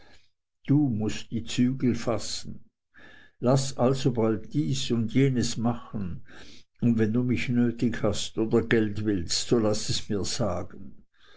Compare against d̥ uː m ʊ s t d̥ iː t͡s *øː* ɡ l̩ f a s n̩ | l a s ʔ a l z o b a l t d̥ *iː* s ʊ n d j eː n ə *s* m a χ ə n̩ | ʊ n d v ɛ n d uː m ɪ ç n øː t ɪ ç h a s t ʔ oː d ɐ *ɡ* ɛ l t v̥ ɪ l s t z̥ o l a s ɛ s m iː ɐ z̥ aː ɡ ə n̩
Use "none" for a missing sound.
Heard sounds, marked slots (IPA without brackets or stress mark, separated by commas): yː, iː, s, ɡ